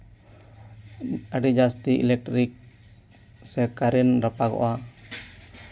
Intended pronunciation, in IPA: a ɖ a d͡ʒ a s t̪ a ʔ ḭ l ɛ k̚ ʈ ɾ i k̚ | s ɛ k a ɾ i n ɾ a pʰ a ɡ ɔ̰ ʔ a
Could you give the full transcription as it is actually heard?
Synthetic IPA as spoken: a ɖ i d͡ʒ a s t̪ i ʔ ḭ l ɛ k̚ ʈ ɾ i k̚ | s ɛ k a ɾ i n ɾ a p a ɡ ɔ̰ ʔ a